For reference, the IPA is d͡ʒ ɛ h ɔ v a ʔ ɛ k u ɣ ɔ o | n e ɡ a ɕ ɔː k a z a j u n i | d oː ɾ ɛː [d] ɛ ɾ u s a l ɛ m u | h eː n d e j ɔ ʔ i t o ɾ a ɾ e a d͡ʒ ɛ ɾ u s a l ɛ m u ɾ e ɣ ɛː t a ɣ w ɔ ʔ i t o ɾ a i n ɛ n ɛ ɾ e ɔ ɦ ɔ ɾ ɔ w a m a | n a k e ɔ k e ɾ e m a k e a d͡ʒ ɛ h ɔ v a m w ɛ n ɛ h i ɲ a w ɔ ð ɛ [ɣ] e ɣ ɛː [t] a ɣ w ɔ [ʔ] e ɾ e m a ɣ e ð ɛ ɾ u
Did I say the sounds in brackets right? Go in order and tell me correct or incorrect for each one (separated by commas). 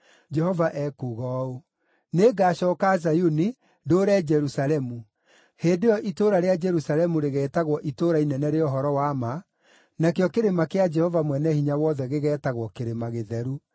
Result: incorrect, correct, correct, incorrect